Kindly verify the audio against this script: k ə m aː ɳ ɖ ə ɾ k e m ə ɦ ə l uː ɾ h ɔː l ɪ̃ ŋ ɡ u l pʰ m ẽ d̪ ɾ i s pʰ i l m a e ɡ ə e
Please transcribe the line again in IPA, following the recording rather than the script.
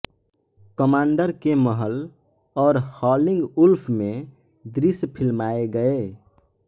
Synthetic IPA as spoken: k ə m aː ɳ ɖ ə ɾ k e m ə ɦ ə l ɔː ɾ h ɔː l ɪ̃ ŋ ɡ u l pʰ m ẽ d̪ ɾ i s pʰ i l m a e ɡ ə e